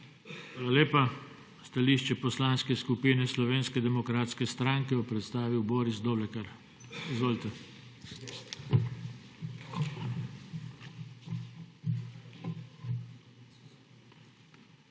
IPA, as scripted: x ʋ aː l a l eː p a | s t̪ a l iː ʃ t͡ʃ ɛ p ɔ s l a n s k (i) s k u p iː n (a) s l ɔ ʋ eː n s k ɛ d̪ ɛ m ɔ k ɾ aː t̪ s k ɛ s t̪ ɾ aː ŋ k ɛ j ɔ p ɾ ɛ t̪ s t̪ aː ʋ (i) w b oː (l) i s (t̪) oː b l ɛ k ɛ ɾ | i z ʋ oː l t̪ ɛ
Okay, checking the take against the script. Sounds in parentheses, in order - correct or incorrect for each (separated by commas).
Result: incorrect, incorrect, correct, incorrect, incorrect